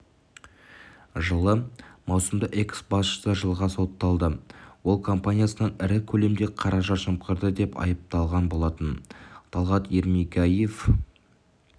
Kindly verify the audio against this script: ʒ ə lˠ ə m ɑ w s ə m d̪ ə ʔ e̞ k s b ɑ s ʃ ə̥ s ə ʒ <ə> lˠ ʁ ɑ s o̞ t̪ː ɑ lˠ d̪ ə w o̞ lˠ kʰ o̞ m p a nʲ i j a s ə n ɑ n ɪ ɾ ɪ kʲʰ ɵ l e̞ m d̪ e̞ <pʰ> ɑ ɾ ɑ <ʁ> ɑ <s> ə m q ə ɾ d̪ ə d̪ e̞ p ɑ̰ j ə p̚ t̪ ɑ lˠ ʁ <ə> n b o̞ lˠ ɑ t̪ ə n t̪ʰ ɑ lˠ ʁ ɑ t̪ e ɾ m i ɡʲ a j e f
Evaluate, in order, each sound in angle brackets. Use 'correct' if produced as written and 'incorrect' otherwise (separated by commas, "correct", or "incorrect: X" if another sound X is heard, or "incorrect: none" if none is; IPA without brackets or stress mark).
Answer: correct, incorrect: qʰ, incorrect: ʒ, incorrect: ʃ, incorrect: ɑ